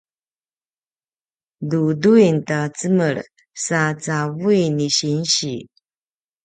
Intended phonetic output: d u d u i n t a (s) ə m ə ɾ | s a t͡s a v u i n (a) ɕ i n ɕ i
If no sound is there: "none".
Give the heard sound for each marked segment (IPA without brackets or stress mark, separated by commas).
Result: t͡s, i